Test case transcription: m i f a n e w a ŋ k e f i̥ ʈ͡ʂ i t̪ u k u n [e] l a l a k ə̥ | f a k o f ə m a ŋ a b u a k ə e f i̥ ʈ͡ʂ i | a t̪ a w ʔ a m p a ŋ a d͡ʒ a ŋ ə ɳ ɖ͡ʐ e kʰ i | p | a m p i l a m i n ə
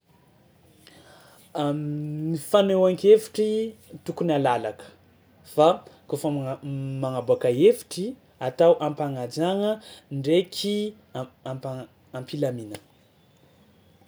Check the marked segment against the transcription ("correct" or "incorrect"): incorrect